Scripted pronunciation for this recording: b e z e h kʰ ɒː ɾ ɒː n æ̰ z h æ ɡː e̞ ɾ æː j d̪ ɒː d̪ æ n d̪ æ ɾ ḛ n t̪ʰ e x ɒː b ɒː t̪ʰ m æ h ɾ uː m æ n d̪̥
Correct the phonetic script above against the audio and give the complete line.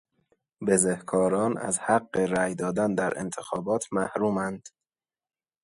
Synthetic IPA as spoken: b e z e h kʰ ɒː ɾ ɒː n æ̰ z h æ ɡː e̞ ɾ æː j d̪ ɒː d̪ æ n d̪ æ ɾ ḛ n t̪ʰ e x ɒː b ɒː t̪ʰ m æ h ɾ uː m æ n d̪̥